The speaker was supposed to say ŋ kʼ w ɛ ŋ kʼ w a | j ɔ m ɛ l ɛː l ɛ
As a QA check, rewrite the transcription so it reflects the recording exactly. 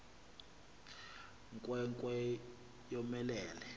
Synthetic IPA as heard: ŋ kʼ w ɛ ŋ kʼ w ɛ | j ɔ m ɛ l ɛː l ɛ